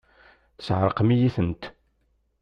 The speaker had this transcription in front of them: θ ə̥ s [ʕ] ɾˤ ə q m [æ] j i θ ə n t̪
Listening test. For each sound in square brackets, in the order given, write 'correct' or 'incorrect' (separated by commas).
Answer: correct, incorrect